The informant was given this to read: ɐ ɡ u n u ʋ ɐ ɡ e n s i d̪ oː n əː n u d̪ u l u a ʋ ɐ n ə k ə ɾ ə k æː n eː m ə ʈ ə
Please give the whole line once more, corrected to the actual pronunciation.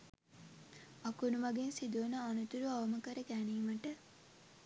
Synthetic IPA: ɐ k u n u ʋ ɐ ɡ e n s i d̪ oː n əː n u t̪ u ɾ u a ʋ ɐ m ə k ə ɾ ə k æː n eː m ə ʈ ə